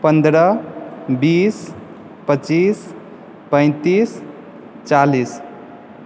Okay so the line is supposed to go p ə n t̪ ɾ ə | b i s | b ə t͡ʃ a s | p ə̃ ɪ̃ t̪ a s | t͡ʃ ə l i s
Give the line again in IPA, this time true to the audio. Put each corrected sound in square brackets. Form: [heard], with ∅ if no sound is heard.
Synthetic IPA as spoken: p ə n [d̪] ɾ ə | b i s | [p] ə t͡ʃ [i] s | p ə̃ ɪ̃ t̪ [i] s | t͡ʃ [a] l i s